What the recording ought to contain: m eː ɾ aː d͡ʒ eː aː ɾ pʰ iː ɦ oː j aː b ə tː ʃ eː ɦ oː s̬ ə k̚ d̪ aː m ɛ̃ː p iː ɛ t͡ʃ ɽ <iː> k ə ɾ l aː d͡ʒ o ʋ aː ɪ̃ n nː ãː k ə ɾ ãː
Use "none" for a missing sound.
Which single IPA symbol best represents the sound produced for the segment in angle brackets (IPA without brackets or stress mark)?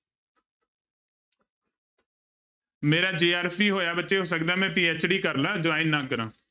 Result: iː